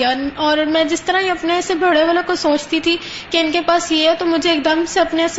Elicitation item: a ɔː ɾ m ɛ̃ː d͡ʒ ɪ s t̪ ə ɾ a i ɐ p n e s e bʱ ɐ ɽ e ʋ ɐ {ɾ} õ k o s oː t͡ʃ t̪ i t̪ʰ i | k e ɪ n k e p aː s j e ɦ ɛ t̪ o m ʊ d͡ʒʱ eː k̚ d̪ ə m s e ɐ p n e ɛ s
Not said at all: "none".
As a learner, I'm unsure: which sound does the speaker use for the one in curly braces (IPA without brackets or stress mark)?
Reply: l